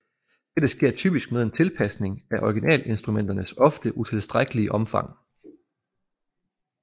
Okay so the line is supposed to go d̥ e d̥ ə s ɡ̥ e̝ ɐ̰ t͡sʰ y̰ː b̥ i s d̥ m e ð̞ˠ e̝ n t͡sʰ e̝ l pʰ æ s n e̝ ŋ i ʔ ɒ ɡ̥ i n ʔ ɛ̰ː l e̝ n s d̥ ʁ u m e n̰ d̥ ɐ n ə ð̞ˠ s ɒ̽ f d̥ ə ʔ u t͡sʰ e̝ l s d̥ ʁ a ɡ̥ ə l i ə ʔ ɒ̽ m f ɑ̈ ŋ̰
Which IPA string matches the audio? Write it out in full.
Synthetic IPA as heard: d̥ e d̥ ə s ɡ̥ e̝ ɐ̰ t͡sʰ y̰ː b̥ i s ɡ̥ m e ð̞ˠ e̝ n t͡sʰ e̝ l pʰ æ s n e̝ ŋ æ ʔ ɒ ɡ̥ i n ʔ ɛ̰ː l e̝ n s d̥ ʁ u m e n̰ d̥ ɐ n ə s ɒ̽ f d̥ ə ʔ u t͡sʰ e̝ l s d̥ ʁ a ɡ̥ ə l i ə ʔ ɒ̽ m f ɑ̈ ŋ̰